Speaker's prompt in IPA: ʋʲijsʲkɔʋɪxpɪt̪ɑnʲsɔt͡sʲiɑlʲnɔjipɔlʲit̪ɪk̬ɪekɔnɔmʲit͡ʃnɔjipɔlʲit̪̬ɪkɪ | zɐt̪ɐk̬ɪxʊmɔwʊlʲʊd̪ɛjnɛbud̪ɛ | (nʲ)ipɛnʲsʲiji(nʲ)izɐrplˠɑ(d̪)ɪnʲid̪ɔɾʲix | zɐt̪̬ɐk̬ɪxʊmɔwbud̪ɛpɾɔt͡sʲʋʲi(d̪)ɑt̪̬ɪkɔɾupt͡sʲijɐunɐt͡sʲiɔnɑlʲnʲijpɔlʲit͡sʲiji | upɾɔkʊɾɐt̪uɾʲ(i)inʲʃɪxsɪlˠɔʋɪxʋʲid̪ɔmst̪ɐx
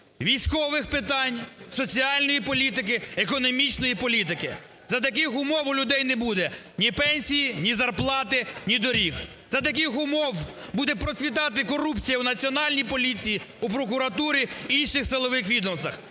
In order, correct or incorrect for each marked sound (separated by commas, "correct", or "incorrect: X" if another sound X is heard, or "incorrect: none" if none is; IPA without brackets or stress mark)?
correct, correct, incorrect: t̪, incorrect: t̪, correct